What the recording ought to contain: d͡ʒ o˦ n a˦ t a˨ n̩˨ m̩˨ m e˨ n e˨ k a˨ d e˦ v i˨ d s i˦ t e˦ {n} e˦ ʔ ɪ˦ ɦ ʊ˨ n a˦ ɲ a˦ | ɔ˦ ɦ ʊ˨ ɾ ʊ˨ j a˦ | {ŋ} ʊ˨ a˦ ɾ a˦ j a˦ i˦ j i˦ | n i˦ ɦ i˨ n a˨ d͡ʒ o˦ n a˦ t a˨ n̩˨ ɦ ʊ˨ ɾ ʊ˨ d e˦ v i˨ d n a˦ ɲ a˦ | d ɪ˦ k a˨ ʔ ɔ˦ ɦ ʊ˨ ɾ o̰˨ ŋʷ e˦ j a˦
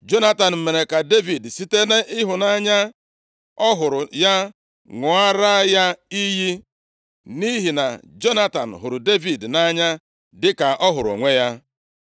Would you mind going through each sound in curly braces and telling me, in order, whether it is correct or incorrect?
correct, correct

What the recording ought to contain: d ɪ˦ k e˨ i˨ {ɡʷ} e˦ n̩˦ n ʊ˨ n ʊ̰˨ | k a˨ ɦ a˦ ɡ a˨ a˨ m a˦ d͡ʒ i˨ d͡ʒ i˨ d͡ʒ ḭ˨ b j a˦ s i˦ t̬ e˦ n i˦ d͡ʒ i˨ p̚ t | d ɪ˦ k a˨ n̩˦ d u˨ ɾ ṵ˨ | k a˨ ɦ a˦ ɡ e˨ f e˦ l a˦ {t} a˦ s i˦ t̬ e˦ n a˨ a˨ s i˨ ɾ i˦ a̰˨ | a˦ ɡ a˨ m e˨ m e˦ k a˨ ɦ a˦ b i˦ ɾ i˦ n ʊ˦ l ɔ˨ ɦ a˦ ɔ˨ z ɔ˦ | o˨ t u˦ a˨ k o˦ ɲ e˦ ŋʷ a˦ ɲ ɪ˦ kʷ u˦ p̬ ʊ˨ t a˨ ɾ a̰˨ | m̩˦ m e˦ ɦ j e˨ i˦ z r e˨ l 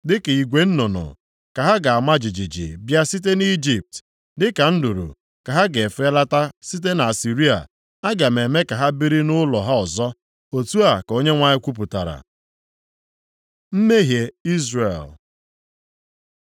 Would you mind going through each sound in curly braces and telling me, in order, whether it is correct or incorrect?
correct, correct

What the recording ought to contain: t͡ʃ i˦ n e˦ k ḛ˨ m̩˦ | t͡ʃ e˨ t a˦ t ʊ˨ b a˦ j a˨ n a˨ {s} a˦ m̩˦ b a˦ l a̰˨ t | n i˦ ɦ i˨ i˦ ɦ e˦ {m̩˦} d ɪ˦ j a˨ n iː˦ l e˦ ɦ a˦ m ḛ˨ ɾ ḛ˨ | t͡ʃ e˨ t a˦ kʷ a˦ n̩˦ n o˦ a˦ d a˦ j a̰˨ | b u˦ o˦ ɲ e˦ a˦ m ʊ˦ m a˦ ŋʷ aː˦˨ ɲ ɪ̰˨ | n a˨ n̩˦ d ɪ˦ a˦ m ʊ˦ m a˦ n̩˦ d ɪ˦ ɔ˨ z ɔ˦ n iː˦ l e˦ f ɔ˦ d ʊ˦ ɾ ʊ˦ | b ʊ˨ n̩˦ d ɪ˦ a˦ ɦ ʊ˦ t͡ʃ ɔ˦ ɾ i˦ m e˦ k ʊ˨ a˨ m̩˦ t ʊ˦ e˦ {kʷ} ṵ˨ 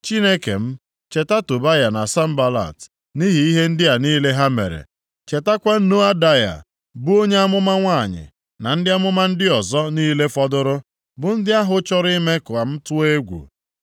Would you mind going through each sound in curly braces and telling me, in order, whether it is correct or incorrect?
correct, incorrect: n̩˦, incorrect: ɡʷ

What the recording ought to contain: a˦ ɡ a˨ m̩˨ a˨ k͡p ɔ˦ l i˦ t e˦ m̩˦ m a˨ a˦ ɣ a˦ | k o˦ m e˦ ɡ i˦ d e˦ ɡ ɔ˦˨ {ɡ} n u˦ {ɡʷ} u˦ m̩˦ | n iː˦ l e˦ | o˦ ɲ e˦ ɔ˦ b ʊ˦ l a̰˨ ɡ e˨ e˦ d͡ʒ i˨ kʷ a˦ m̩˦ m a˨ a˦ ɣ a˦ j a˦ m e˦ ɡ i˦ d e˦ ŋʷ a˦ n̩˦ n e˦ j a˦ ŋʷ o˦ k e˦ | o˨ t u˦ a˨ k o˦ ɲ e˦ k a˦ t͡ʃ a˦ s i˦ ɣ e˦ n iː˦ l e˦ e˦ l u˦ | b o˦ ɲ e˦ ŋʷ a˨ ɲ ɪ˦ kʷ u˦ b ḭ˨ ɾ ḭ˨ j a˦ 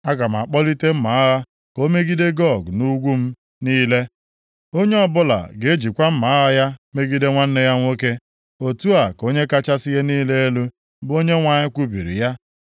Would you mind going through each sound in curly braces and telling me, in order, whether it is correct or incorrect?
correct, correct

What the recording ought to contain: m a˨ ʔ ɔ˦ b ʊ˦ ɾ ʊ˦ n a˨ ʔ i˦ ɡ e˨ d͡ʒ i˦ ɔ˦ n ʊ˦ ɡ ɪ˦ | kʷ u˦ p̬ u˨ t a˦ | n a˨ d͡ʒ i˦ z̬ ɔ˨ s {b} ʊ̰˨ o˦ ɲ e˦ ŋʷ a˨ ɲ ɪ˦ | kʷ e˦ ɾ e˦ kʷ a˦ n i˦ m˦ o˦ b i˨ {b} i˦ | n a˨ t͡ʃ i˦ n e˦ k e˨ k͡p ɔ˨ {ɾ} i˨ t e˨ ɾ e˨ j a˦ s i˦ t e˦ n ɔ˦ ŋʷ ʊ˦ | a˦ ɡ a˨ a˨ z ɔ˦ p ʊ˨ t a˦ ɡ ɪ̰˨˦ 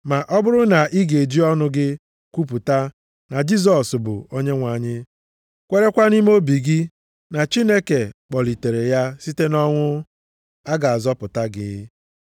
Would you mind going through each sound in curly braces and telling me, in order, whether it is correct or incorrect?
correct, incorrect: ɡ, incorrect: l

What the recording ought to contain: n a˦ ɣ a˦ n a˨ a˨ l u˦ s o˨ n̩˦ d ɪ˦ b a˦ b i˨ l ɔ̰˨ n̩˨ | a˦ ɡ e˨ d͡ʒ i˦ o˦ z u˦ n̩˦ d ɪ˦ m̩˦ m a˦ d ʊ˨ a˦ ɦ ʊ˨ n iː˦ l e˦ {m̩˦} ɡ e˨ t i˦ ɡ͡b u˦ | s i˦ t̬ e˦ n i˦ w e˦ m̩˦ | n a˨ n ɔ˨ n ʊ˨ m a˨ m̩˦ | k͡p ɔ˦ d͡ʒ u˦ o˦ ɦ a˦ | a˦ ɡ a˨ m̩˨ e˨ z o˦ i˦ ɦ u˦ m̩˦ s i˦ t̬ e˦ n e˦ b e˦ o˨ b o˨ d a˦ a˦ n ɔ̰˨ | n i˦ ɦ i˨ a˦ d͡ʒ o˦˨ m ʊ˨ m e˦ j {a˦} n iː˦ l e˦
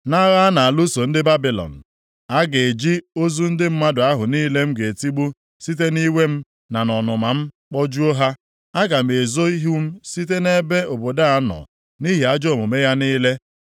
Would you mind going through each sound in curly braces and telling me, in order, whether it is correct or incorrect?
correct, correct

